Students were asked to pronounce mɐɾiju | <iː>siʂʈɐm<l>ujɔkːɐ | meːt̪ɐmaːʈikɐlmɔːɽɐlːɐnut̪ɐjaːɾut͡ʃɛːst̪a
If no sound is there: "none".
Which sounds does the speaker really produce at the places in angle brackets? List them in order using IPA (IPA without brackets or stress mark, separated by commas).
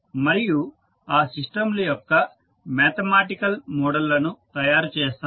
aː, l